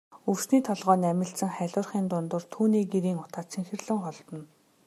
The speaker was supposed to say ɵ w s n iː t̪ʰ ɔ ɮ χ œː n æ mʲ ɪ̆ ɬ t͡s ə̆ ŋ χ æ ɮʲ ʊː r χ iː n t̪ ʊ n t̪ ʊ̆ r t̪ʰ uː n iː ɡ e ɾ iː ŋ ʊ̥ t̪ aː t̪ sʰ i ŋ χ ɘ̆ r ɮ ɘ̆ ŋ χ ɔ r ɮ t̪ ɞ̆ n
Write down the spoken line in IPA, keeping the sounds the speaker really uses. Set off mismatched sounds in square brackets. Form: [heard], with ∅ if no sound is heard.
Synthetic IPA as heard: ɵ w s n iː t̪ʰ ɔ ɮ [ʁ] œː n æ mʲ ɪ̆ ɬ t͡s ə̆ ŋ χ æ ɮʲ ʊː r χ iː n t̪ ʊ n t̪ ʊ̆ r t̪ʰ uː n iː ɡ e ɾ iː ŋ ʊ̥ t̪ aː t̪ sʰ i ŋ [x] ɘ̆ r ɮ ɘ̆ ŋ χ ɔ [∅] ɮ t̪ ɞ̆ n